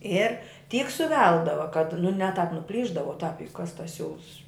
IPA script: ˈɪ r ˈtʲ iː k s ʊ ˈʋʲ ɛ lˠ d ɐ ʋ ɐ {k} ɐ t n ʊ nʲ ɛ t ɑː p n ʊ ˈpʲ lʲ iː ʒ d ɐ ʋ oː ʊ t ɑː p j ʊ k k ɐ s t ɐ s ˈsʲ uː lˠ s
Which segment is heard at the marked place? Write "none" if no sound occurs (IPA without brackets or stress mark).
k